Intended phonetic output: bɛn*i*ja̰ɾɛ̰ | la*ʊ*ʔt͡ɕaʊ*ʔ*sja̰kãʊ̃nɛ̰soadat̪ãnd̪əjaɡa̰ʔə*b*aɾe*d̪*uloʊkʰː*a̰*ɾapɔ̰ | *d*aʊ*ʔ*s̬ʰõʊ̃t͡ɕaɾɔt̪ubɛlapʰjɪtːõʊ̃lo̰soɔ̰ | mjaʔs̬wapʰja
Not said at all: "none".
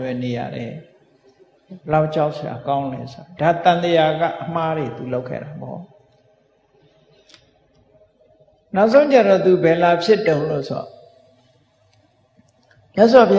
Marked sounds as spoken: e, ʊ, ʔ, m, t̪, ɛ̰, n, ʔ

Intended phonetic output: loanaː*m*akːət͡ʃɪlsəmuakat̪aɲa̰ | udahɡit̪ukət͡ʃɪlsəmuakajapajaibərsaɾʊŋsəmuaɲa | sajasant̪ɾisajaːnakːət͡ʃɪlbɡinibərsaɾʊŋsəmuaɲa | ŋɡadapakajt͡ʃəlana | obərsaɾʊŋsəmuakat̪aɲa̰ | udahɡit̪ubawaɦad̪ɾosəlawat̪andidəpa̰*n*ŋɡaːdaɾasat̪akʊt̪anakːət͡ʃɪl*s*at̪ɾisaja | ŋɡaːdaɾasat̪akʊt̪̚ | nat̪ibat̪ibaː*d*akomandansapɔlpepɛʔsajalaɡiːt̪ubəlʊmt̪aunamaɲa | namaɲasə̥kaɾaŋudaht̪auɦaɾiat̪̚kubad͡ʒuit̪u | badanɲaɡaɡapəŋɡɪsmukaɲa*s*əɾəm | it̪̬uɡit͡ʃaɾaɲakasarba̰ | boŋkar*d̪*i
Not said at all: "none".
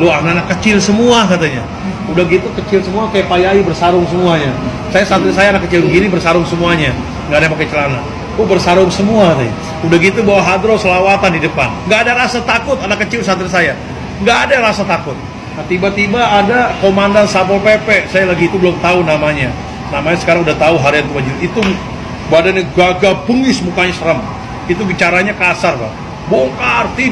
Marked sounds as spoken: n, n, s, d, s, t̪

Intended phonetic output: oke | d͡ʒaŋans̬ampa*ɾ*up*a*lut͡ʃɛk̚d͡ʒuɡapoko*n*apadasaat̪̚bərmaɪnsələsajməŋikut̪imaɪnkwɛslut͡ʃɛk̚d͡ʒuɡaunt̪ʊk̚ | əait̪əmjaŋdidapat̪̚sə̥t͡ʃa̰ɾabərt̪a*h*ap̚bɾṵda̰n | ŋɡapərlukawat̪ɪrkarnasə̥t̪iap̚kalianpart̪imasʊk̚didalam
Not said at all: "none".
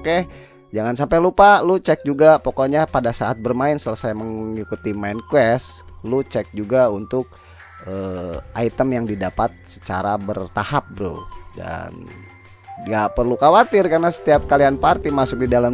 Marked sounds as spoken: l, a, ɲ, h

